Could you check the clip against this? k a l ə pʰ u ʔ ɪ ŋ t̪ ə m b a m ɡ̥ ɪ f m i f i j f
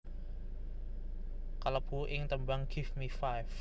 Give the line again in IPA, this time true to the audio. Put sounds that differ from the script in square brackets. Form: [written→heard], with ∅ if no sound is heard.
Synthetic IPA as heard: k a l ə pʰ u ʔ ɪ ŋ t̪ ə m b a [m→ŋ] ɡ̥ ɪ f m i f [i→a] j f